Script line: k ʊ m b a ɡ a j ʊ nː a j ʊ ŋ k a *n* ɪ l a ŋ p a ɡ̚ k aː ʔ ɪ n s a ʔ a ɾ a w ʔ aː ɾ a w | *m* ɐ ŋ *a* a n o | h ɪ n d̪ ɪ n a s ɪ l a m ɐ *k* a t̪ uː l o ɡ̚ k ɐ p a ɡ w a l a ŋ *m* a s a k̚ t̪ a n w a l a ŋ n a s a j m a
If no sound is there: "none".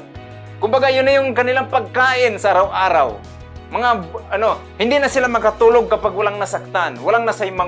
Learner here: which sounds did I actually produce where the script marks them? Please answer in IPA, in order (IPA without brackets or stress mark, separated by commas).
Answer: n, m, a, k, n